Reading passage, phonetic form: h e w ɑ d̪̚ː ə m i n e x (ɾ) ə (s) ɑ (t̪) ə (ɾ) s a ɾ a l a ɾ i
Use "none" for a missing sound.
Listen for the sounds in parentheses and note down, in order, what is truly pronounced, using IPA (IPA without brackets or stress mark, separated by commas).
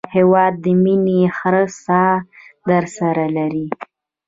ɾ, s, d̪, ɾ